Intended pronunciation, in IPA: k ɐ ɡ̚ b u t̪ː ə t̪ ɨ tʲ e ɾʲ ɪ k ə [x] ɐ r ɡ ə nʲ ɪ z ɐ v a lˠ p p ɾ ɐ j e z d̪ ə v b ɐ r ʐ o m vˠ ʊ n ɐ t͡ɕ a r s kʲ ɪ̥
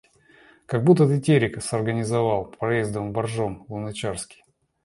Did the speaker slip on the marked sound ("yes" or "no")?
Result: yes